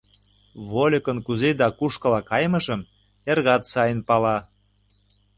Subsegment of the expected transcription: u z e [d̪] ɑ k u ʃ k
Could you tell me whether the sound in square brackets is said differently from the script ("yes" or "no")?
no